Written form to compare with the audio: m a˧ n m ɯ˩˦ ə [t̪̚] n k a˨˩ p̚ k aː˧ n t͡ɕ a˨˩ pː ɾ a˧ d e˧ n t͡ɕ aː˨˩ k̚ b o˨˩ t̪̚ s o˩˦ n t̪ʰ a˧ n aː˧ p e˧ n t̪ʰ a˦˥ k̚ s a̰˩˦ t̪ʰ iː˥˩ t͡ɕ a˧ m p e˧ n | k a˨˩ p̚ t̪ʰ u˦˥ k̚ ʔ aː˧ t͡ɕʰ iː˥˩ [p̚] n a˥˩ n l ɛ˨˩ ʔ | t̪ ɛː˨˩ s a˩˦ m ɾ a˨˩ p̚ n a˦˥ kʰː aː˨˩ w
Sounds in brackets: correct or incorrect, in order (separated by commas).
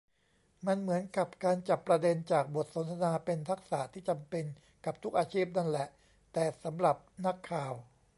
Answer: incorrect, correct